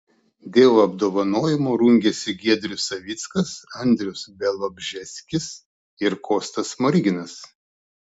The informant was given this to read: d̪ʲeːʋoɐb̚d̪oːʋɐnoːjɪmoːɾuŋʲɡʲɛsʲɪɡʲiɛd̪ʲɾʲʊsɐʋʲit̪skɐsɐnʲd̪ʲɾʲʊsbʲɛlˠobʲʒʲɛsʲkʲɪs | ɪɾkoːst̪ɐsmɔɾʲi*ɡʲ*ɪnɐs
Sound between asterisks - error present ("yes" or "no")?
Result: no